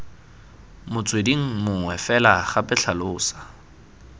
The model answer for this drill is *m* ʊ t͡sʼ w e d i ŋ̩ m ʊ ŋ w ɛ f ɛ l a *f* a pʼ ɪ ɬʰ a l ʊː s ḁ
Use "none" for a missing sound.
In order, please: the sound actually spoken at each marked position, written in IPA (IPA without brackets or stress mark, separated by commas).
m, χ